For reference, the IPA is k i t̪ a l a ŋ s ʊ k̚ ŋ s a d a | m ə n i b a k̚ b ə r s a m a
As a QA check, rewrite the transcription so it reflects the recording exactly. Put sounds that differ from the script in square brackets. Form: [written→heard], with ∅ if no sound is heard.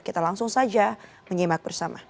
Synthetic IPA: k i t̪ a l a ŋ s ʊ [k̚→∅] ŋ s a [d→d͡ʒ] a | m ə [n→ɲ] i [b→m] a k̚ b ə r s a m a